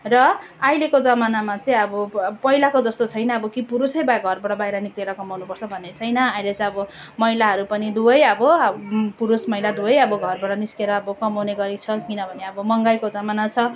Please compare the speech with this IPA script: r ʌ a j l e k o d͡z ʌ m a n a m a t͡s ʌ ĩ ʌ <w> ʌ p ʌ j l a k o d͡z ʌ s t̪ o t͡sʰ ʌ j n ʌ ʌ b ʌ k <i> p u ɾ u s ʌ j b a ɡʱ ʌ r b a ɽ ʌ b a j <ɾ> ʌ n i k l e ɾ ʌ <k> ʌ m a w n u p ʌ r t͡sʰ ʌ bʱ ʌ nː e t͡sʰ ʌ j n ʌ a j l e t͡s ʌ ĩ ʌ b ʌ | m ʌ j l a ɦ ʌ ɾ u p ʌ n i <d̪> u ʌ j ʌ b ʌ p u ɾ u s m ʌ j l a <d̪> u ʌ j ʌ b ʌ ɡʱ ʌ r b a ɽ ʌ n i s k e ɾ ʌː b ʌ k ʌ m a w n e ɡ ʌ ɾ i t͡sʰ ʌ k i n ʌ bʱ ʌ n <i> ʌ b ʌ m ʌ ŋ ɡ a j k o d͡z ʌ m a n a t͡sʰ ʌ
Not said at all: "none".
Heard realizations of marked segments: b, i, ɾ, k, d̪, d̪, e

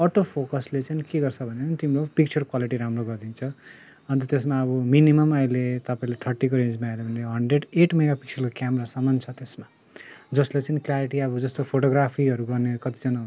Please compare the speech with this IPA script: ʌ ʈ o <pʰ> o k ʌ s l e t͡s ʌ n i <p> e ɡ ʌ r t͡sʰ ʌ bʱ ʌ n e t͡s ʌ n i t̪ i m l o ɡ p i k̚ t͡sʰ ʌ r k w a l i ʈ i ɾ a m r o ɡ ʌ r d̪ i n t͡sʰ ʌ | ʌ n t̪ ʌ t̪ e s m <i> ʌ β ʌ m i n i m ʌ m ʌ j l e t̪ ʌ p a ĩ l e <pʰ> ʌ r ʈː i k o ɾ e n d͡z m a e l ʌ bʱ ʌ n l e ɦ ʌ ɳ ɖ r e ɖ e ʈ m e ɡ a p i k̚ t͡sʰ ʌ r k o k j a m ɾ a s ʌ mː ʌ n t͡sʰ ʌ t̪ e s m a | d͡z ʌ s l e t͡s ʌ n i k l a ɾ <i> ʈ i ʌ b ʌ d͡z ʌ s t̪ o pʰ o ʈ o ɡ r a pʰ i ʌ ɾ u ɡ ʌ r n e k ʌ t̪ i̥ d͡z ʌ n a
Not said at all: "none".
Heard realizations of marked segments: pʰ, k, a, ʈʰ, i

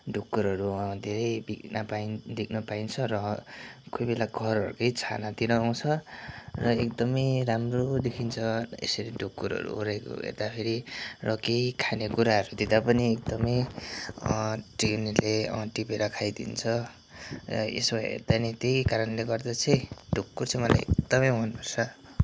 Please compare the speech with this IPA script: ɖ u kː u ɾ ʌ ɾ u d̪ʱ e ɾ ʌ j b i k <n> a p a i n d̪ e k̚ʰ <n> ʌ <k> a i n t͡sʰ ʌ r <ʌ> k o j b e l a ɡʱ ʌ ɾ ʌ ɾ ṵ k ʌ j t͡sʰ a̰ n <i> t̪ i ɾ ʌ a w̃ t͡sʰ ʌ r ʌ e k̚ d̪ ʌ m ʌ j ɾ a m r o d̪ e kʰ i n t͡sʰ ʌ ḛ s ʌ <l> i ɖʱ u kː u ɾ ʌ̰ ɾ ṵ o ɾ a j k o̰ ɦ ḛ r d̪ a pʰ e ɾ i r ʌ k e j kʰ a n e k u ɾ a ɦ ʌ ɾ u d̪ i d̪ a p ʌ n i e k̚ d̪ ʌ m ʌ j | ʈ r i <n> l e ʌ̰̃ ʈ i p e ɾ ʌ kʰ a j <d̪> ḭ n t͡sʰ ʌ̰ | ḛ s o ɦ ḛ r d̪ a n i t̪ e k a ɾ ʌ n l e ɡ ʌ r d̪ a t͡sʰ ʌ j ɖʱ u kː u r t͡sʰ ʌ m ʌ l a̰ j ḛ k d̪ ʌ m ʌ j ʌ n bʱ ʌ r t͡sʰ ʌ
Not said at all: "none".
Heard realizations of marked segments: n, n, p, ʌ, a, ɾ, n, d̪

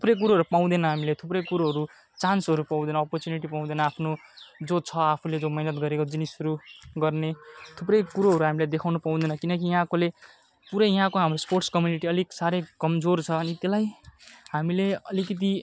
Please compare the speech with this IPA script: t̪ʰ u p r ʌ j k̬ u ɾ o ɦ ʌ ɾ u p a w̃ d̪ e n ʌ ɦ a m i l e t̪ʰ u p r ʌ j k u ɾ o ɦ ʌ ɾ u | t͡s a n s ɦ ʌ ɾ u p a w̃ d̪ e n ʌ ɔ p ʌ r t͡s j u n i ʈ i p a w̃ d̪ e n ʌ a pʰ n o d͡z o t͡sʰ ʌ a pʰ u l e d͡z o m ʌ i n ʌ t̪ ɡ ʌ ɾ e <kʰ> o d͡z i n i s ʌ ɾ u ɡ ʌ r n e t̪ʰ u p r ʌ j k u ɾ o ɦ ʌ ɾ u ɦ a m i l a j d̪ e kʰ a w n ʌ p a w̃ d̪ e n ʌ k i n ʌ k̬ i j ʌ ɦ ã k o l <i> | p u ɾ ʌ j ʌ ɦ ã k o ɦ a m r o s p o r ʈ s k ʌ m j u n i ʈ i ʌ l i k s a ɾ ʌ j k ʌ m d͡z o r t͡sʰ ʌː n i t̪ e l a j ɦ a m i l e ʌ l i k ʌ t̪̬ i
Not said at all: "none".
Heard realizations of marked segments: k, e

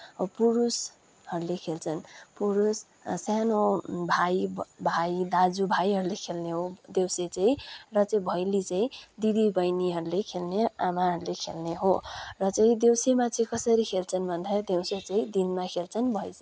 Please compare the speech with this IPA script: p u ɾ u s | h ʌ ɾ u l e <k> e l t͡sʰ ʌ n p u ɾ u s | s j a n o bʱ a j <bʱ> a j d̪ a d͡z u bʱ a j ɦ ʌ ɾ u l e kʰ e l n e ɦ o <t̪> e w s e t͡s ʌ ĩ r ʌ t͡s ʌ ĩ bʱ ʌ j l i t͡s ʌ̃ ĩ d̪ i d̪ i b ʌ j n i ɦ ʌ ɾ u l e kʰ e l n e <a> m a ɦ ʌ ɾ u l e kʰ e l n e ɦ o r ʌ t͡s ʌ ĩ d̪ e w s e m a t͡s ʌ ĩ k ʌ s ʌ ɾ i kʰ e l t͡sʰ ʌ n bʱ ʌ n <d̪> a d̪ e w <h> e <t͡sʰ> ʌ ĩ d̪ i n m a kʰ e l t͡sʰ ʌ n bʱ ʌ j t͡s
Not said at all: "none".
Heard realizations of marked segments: kʰ, bʱ, d̪, a, d̪, s, t͡s

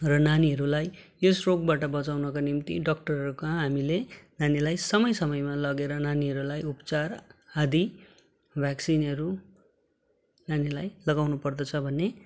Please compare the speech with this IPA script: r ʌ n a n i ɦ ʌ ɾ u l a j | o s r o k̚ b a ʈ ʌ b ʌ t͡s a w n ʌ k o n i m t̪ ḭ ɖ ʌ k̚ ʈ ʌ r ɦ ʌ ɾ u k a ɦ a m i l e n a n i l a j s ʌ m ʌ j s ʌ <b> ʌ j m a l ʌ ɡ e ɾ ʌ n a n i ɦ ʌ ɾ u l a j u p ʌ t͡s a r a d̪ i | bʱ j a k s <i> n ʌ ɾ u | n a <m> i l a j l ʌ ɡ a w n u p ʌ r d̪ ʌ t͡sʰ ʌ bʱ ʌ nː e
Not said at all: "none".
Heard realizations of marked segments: m, i, n

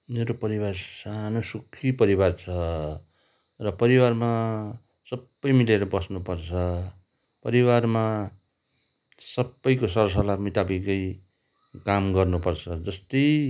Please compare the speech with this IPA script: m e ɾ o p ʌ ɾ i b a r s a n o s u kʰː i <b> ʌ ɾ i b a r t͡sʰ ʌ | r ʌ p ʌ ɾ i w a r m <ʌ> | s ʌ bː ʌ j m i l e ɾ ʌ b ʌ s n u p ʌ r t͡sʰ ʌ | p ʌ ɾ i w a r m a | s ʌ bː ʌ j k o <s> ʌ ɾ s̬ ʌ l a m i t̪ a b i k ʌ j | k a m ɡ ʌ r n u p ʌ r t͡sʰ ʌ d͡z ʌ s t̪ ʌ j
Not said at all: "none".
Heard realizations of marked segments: p, a, s

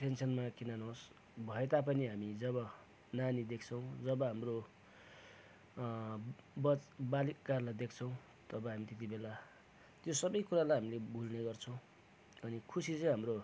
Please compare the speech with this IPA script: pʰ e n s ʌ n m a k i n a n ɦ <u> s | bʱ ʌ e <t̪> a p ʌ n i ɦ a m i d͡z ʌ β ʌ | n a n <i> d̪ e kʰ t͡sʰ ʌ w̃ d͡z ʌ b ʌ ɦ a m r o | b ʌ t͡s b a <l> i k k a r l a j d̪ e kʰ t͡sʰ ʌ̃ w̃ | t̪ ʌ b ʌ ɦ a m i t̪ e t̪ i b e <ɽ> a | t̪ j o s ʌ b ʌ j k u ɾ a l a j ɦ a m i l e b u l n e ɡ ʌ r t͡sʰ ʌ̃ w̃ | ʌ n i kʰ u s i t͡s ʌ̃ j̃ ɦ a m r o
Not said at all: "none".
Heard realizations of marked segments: o, t̪, i, l, l

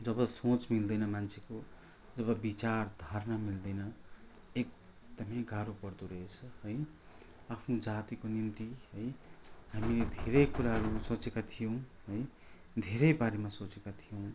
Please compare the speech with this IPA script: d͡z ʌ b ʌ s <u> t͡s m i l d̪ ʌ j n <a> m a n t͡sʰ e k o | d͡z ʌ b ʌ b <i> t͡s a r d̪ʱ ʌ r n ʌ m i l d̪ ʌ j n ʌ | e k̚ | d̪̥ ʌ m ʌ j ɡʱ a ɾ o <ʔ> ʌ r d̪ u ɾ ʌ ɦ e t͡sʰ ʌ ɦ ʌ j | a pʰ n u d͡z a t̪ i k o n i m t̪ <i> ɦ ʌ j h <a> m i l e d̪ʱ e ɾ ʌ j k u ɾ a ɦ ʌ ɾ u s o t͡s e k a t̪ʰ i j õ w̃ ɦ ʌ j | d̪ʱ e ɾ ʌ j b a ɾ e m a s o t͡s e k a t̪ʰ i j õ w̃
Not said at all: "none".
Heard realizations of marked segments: o, ʌ, i, p, i, a

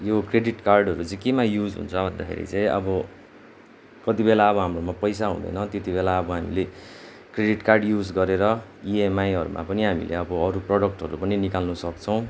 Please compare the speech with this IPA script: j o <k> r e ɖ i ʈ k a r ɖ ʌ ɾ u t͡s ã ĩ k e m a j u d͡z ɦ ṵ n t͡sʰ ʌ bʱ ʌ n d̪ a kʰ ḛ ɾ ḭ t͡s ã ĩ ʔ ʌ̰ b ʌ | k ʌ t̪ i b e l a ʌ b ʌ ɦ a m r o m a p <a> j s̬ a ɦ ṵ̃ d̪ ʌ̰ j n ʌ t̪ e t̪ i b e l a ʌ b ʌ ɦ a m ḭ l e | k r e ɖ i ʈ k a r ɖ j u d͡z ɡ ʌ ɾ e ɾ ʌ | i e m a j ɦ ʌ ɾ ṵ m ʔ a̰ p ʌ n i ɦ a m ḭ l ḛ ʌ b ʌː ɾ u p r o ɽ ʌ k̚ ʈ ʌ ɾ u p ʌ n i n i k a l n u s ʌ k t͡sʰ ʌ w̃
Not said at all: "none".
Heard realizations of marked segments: k, ʌ

